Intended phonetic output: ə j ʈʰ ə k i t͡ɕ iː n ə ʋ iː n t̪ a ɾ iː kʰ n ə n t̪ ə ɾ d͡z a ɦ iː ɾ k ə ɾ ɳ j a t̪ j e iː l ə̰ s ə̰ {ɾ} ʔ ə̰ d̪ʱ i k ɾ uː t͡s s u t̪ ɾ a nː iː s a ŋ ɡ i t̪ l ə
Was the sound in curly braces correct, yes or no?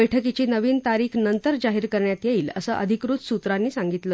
no